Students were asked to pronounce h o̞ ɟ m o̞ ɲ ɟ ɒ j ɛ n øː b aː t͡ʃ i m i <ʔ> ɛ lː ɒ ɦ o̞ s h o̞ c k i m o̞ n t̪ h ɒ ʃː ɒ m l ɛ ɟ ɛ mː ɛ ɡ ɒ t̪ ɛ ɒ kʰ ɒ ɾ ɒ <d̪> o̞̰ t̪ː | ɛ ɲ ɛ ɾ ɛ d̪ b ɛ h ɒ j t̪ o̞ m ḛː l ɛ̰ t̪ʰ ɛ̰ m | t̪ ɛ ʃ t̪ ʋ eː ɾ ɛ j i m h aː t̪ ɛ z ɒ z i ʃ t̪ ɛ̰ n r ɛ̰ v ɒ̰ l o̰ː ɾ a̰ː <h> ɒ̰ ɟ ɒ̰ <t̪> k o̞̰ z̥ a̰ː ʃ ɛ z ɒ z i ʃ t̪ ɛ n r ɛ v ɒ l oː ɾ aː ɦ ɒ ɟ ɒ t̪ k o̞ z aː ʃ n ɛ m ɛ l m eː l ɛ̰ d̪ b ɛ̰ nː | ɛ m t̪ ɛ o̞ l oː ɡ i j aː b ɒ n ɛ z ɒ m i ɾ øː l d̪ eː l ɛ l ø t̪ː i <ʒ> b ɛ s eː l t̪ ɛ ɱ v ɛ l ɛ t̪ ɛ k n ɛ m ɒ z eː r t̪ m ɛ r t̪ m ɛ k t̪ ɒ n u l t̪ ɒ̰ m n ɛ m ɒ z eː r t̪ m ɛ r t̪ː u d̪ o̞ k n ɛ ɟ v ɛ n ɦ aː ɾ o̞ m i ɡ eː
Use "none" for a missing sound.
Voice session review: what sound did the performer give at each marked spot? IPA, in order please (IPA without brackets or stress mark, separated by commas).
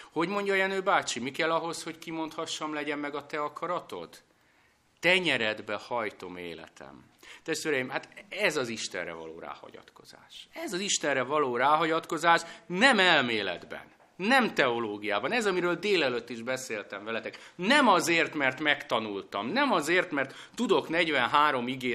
k, t̪, h, t̪, ʒ